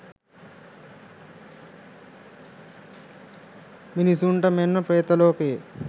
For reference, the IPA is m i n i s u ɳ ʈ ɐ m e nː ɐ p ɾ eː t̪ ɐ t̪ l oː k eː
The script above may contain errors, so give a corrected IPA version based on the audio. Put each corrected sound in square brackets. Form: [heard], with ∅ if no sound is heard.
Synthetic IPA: m i n i s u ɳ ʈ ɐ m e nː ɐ p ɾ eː t̪ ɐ [∅] l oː k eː